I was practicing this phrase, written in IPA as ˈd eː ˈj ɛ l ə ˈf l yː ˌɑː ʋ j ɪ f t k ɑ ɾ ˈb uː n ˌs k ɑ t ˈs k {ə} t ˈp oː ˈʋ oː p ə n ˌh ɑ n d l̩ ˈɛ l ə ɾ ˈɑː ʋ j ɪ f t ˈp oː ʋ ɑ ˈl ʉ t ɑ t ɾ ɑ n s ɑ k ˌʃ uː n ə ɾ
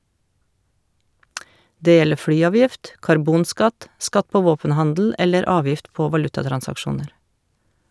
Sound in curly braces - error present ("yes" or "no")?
yes